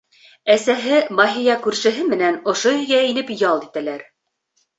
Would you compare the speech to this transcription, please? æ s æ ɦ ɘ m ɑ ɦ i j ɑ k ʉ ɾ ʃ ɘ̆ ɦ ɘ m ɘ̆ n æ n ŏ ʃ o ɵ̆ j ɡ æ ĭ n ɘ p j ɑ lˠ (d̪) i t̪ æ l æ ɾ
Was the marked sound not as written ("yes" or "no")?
no